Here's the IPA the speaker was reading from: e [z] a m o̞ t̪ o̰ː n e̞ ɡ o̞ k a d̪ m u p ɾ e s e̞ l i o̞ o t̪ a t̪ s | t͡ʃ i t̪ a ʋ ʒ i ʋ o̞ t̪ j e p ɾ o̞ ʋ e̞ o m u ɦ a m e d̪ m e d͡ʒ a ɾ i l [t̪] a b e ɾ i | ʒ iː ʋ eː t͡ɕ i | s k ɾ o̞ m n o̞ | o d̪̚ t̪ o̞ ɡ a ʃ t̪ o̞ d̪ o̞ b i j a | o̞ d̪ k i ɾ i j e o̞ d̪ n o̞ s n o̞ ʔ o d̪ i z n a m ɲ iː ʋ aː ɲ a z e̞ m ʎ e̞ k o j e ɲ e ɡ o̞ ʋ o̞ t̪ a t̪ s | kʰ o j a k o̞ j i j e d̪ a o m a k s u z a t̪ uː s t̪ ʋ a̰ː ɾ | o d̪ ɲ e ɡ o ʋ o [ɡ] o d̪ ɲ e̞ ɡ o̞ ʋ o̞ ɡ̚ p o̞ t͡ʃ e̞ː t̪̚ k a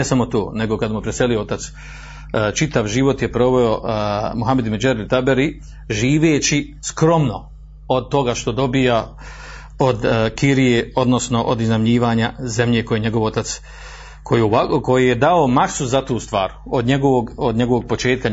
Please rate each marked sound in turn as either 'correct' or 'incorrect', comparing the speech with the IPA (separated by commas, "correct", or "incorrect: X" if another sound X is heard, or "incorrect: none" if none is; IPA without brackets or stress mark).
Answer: incorrect: s, correct, correct